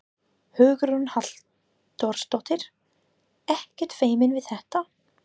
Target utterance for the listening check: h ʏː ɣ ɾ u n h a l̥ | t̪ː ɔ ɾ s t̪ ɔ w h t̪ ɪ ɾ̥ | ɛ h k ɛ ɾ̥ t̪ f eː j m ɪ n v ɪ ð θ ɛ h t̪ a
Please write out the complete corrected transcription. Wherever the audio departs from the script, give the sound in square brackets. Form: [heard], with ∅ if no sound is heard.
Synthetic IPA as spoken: h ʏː ɣ ɾ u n h a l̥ | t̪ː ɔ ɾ s t̪ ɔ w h t̪ ɪ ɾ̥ | ɛ h [c] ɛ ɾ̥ t̪ f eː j m ɪ n v ɪ ð θ ɛ h t̪ a